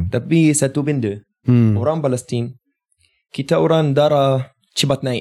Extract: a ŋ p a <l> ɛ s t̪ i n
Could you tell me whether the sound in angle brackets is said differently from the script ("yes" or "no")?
no